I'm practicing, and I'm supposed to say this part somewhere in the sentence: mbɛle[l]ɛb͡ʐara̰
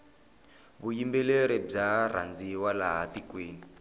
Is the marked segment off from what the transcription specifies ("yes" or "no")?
yes